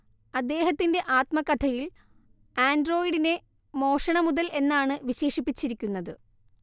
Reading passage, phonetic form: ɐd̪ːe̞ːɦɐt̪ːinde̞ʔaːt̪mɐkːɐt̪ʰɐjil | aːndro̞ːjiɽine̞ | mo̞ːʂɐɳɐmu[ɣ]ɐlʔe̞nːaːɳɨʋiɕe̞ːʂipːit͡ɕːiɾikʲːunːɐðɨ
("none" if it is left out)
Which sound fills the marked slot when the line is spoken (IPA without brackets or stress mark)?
ð